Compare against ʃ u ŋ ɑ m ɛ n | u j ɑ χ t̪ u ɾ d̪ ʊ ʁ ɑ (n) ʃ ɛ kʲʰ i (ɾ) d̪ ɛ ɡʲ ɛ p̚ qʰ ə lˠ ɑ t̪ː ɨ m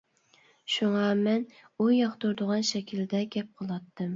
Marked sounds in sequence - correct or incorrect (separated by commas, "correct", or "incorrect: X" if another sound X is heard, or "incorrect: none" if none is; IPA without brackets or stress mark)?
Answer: correct, incorrect: l